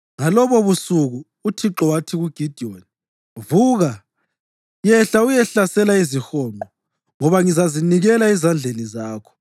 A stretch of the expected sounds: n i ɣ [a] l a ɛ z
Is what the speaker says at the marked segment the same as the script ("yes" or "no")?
no